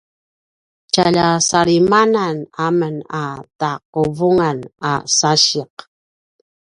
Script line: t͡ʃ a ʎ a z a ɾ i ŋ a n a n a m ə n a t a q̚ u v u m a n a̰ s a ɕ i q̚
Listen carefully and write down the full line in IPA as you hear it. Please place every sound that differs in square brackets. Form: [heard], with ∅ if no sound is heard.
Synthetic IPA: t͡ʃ a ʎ a [s] a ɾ i [m] a n a n a m ə n a t a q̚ u v u [ŋ] a n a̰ s a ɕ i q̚